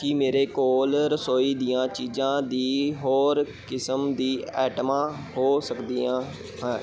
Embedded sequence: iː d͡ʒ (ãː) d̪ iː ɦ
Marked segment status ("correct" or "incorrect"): correct